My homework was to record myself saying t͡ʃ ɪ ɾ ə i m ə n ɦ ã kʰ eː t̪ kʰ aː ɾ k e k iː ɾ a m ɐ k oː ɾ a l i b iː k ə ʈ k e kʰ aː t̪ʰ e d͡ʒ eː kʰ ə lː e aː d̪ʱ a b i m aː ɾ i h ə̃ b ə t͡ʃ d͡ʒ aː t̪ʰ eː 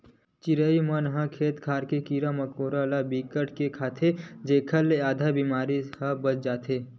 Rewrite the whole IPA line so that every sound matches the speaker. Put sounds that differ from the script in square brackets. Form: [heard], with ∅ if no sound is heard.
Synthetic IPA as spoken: t͡ʃ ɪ ɾ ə i m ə n ɦ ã kʰ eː t̪ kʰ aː ɾ k e k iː ɾ a m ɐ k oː ɾ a l [a] b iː k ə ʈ k e kʰ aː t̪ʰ e d͡ʒ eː kʰ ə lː e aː d̪ʱ a b i m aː ɾ i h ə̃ b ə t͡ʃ d͡ʒ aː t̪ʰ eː